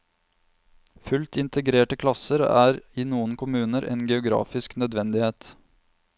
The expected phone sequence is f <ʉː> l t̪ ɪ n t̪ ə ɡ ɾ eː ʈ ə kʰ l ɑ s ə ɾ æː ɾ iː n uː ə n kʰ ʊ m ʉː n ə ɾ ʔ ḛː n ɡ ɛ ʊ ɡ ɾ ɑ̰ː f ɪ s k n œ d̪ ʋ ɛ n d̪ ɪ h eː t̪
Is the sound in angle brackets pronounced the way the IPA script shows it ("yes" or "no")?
no